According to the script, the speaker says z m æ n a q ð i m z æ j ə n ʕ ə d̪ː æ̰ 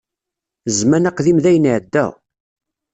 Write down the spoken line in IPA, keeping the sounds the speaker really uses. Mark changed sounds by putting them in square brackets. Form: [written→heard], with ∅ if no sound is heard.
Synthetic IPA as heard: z m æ n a q ð i m [z→ð] æ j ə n ʕ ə d̪ː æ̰